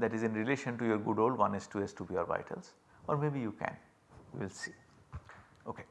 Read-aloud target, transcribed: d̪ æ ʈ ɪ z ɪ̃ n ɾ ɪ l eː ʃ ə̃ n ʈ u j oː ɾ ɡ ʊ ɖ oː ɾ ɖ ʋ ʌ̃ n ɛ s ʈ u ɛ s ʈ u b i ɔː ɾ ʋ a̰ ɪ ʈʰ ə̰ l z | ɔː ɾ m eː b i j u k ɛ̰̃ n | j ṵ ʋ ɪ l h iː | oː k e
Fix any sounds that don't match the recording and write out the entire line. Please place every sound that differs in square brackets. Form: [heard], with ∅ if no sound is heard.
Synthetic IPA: d̪ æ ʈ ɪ z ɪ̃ n ɾ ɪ l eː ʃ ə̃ n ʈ u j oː ɾ ɡ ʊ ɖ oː [l] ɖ ʋ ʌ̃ n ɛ s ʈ u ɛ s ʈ u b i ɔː ɾ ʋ a̰ ɪ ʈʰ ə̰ l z | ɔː ɾ m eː b i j u k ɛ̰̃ n | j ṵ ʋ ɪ l [s] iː | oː k e